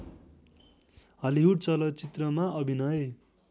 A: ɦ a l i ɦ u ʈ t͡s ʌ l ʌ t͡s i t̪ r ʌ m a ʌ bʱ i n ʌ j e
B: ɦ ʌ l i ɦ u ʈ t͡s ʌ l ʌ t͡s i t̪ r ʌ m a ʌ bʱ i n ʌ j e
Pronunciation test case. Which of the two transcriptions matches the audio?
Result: B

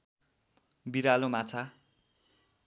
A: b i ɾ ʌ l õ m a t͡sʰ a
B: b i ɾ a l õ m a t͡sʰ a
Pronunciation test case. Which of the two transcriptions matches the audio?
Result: B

